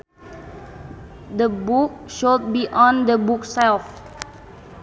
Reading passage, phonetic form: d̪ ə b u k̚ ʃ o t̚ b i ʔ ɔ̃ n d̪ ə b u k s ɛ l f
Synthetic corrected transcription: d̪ ə b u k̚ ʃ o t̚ b i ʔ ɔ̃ n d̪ ə b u k s ɛ l f